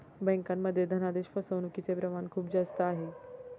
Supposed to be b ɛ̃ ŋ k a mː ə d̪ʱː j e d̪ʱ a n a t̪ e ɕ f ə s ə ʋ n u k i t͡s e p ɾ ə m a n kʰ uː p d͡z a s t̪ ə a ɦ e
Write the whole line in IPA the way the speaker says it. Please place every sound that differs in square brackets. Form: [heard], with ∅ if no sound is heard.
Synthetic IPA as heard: b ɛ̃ ŋ k a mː ə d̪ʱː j e d̪ʱ [ə] n a [d̪] e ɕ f ə s ə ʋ n u k i t͡s e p ɾ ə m a n kʰ uː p d͡z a s t̪ ə a ɦ e